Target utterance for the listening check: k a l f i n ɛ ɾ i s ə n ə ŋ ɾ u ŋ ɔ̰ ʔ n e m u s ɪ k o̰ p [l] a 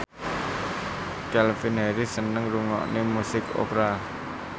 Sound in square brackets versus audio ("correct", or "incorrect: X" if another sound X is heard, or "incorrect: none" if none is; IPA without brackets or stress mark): incorrect: ɾ